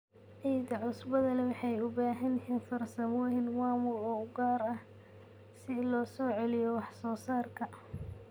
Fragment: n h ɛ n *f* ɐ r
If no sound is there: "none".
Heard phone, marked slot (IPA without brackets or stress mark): f